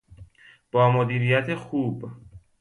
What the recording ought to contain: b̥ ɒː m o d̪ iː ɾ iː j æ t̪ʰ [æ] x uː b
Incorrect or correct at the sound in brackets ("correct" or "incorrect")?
incorrect